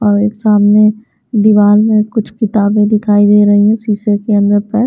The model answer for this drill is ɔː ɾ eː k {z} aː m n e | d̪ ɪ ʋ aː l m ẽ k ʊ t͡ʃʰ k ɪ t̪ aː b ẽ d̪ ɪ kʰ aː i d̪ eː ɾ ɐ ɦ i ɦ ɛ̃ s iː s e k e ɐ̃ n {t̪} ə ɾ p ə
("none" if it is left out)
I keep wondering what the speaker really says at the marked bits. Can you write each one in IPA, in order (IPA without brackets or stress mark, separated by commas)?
s, d̪